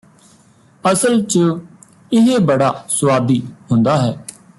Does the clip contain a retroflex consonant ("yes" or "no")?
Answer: yes